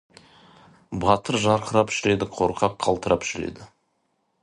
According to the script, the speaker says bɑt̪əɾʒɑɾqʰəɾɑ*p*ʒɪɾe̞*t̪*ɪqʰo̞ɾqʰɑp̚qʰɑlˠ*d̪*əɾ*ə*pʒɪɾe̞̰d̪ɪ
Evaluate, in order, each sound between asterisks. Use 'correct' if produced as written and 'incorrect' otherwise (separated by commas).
correct, incorrect, incorrect, incorrect